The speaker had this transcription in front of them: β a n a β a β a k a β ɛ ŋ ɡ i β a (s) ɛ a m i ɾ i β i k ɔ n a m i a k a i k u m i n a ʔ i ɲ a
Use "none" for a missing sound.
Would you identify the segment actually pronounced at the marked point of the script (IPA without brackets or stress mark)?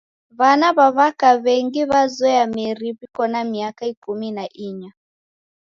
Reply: z